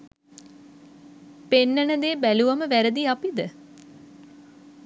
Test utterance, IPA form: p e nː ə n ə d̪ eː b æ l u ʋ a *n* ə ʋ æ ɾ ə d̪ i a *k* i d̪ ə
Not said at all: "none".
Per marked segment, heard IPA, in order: m, p

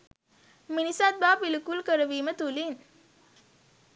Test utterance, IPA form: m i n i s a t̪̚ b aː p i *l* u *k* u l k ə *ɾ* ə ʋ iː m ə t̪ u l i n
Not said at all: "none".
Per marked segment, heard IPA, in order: l, k, ɾ

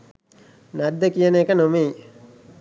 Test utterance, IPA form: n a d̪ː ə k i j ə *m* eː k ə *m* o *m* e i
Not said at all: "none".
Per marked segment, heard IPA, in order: n, n, m

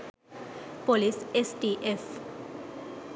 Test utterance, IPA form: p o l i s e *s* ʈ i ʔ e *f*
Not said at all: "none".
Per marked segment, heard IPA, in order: s, f

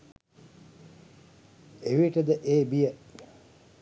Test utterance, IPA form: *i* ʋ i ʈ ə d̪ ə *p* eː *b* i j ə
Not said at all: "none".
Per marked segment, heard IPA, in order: e, ʔ, b

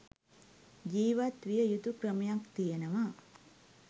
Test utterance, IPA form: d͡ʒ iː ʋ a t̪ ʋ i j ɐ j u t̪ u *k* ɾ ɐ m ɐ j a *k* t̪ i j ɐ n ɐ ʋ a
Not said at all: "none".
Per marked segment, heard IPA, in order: k, k

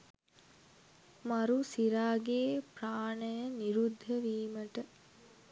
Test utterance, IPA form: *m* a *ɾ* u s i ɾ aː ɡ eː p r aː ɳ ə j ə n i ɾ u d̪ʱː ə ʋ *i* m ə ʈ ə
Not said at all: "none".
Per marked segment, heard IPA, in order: m, ɾ, iː

